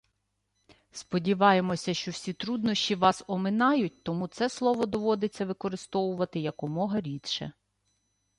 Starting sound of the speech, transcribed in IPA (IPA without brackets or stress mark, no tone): s